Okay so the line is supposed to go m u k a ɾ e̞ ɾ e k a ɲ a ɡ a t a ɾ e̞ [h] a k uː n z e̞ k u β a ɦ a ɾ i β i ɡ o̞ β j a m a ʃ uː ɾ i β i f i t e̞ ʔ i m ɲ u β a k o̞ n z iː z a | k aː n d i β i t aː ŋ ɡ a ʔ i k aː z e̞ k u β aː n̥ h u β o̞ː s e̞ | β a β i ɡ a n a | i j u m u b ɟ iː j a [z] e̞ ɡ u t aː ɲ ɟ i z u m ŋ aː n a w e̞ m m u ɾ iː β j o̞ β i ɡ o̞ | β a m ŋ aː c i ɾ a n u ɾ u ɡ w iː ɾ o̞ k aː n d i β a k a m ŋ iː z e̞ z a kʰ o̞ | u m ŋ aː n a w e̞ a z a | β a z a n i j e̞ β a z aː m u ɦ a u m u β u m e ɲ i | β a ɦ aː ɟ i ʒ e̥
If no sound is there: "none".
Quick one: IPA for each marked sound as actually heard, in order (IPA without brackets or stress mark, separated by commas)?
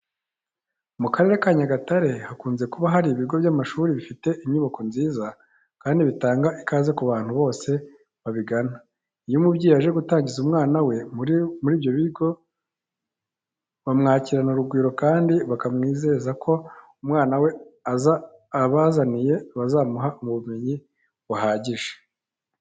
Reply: h, ʒ